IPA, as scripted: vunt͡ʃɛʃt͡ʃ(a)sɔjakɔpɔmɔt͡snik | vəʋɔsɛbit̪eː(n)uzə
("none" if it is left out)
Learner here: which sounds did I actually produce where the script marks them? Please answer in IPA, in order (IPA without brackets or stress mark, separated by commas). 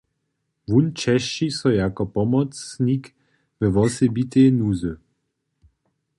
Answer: i, n